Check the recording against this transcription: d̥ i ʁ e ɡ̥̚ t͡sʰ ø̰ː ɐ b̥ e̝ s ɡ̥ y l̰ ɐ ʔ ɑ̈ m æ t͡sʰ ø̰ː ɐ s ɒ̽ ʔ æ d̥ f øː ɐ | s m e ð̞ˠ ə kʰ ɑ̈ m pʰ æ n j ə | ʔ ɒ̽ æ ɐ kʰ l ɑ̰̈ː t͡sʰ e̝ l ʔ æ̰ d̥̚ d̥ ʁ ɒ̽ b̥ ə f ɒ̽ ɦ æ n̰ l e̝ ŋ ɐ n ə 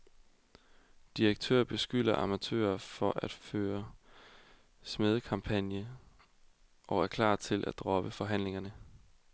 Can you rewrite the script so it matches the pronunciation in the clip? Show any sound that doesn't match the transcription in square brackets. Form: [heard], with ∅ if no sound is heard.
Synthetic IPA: d̥ i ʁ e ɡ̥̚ t͡sʰ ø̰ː ɐ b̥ e̝ s ɡ̥ y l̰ ɐ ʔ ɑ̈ m æ t͡sʰ ø̰ː ɐ [f] ɒ̽ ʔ æ d̥ f øː ɐ | s m e ð̞ˠ ə kʰ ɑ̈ m pʰ æ n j ə | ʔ ɒ̽ æ ɐ kʰ l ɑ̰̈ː t͡sʰ e̝ l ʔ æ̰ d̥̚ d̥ ʁ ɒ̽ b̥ ə f ɒ̽ ɦ æ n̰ l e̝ ŋ ɐ n ə

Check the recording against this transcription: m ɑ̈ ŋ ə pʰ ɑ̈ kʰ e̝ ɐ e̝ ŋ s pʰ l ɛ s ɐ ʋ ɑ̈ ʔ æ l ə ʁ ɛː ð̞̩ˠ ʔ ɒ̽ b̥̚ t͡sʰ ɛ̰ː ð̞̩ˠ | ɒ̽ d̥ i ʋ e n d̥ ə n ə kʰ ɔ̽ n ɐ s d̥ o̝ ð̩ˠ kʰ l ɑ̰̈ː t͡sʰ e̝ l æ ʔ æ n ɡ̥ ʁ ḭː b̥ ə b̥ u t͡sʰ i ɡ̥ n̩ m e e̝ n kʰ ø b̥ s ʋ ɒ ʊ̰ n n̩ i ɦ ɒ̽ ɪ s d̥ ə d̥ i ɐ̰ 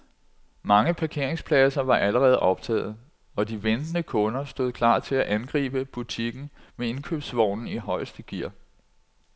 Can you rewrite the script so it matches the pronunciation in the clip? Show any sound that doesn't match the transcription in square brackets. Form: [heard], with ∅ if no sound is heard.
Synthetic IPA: m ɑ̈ ŋ ə pʰ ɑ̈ kʰ e̝ ɐ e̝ ŋ s pʰ l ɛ s ɐ ʋ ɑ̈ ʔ æ l ə ʁ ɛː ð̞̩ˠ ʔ ɒ̽ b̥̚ t͡sʰ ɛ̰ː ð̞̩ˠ | ɒ̽ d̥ i ʋ e n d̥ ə n ə kʰ ɔ̽ n ɐ s d̥ o̝ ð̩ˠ kʰ l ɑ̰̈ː t͡sʰ e̝ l æ ʔ æ n ɡ̥ ʁ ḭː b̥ ə b̥ u t͡sʰ i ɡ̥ n̩ m e e̝ n kʰ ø b̥ s ʋ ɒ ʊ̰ n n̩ i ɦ ɒ̽ ɪ s d̥ ə [ɡ̥] i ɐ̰

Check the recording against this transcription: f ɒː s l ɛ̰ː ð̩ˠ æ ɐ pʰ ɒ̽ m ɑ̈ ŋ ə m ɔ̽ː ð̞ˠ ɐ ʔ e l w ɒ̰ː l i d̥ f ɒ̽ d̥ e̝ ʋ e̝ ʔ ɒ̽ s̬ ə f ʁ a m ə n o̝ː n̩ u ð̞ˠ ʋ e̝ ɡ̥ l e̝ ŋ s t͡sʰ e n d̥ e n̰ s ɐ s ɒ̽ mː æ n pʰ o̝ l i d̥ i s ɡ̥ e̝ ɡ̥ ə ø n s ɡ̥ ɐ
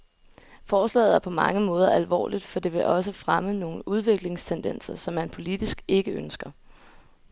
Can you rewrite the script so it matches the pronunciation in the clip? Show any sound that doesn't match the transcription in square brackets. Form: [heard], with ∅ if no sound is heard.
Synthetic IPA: f ɒː s l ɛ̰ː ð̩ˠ æ ɐ pʰ ɒ̽ m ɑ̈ ŋ ə m ɔ̽ː ð̞ˠ ɐ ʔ [æ] l [ʋ] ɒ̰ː l i d̥ f ɒ̽ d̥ e̝ ʋ e̝ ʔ ɒ̽ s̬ ə f ʁ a m ə n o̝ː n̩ u ð̞ˠ ʋ e̝ ɡ̥ l e̝ ŋ s t͡sʰ e n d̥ e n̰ s ɐ s ɒ̽ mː æ n pʰ o̝ l i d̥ i s ɡ̥ e̝ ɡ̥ ə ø n s ɡ̥ ɐ

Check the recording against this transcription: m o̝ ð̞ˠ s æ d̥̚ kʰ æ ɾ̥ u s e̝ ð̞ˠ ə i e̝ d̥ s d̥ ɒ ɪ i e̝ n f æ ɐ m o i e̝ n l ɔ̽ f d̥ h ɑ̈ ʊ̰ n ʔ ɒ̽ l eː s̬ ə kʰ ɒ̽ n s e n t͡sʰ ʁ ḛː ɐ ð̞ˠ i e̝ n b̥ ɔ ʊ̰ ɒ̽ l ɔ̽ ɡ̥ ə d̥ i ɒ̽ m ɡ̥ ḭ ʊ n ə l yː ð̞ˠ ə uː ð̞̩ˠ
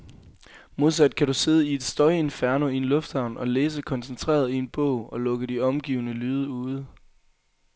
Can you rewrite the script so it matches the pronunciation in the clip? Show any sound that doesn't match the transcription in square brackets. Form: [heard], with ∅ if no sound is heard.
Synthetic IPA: m o̝ ð̞ˠ s æ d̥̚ kʰ æ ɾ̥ u s e̝ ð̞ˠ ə i e̝ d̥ s d̥ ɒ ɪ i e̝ n f æ ɐ [n] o i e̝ n l ɔ̽ f d̥ h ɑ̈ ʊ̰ n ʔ ɒ̽ l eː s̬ ə kʰ ɒ̽ n s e n t͡sʰ ʁ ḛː ɐ ð̞ˠ i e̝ n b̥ ɔ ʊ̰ ɒ̽ l ɔ̽ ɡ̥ ə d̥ i ɒ̽ m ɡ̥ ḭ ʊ n ə l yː ð̞ˠ ə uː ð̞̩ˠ

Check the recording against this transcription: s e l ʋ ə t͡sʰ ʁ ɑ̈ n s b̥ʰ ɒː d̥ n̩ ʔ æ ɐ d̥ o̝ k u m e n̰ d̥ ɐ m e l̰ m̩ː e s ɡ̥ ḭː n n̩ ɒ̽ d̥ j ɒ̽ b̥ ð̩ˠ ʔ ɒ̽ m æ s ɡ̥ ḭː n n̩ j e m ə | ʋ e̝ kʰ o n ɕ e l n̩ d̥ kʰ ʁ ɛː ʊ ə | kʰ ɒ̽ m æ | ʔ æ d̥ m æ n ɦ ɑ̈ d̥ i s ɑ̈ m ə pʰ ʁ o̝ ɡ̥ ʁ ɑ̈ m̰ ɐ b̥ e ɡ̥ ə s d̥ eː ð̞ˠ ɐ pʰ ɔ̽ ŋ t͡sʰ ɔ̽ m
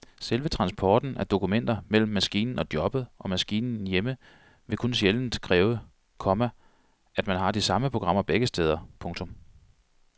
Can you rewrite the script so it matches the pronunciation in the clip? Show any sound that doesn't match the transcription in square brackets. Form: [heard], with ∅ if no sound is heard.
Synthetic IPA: s e l ʋ ə t͡sʰ ʁ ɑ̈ n s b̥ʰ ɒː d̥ n̩ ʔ æ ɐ d̥ o̝ k u m e n̰ d̥ ɐ m e l̰ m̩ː [æ] s ɡ̥ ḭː n n̩ ɒ̽ d̥ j ɒ̽ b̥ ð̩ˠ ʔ ɒ̽ m æ s ɡ̥ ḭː n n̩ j e m ə | ʋ e̝ kʰ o n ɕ e l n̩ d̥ kʰ ʁ ɛː ʊ ə | kʰ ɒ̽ m æ | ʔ æ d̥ m æ n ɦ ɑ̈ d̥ i s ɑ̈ m ə pʰ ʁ o̝ ɡ̥ ʁ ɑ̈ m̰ ɐ b̥ e ɡ̥ ə s d̥ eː ð̞ˠ ɐ pʰ ɔ̽ ŋ t͡sʰ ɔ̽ m

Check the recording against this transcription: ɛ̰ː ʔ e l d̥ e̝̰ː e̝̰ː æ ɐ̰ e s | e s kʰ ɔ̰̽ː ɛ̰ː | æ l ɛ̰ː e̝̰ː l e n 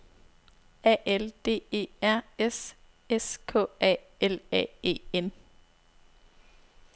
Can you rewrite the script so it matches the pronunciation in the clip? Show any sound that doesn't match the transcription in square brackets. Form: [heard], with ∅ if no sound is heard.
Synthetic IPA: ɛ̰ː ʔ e l d̥ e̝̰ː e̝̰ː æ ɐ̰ e s | e s kʰ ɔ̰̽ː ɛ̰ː | [e] l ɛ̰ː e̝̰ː [∅] e n

